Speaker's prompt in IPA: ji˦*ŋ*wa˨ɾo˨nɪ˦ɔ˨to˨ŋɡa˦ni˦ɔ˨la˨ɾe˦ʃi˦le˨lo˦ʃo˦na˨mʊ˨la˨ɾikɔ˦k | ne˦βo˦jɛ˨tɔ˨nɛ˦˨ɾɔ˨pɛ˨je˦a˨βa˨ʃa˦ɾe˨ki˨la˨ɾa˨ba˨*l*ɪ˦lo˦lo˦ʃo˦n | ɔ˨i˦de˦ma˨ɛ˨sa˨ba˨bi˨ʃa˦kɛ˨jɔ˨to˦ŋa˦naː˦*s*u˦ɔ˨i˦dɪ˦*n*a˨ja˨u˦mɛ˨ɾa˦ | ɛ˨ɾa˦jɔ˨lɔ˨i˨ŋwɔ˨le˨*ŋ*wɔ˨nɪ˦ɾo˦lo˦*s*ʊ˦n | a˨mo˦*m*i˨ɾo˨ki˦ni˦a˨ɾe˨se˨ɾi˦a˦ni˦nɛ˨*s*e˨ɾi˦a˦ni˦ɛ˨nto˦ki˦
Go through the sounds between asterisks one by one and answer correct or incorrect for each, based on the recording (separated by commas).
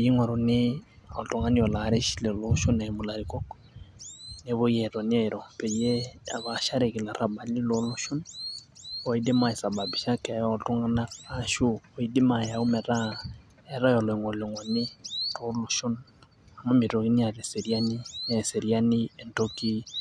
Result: correct, correct, incorrect, incorrect, correct, incorrect, correct, correct